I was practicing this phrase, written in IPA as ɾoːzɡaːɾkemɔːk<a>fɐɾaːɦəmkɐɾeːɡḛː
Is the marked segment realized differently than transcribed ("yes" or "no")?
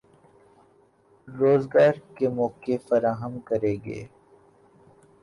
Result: yes